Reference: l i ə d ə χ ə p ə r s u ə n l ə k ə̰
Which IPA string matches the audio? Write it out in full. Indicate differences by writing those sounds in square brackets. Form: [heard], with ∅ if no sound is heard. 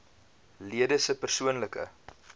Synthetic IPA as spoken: l i ə d ə [s] ə p ə r s u ə n l ə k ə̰